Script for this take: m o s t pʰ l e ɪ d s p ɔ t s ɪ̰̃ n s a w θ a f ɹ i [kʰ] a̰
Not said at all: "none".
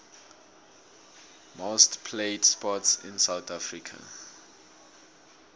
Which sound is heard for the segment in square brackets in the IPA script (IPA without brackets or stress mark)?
kʰ